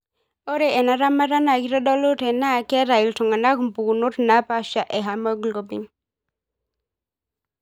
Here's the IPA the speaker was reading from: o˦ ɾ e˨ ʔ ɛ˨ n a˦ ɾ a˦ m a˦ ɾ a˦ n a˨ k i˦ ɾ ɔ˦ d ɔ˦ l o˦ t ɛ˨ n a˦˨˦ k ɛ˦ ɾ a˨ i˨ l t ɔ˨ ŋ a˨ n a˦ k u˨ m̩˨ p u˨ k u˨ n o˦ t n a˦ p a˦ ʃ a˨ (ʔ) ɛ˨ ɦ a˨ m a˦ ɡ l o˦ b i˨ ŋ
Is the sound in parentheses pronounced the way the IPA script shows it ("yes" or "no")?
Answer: yes